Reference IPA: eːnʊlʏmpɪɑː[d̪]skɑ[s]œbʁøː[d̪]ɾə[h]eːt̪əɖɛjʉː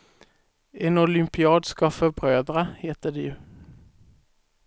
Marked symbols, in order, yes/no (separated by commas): yes, no, yes, yes